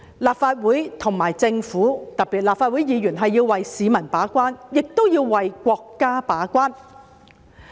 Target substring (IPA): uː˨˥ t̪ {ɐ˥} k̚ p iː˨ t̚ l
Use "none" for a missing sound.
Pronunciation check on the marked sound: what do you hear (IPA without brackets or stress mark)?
ɐ˨˩